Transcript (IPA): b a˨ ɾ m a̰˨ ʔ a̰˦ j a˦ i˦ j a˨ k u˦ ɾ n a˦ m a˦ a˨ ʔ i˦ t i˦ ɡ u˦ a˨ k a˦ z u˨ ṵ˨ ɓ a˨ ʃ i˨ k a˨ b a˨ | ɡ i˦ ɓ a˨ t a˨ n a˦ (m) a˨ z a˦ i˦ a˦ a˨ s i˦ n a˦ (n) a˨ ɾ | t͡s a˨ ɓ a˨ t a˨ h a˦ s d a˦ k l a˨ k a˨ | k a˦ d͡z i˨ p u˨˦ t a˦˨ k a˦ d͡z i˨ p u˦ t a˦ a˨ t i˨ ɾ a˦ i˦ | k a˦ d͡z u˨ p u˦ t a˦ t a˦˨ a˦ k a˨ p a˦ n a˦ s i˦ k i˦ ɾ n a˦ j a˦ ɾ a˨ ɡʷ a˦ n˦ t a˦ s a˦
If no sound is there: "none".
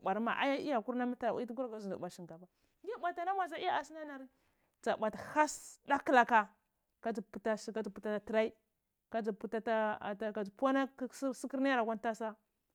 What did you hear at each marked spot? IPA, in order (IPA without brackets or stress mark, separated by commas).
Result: m, n